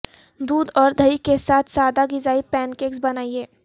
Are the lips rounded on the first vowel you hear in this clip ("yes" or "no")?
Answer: yes